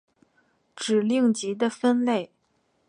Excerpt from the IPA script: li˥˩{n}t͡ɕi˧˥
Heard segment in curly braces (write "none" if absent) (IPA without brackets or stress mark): ŋ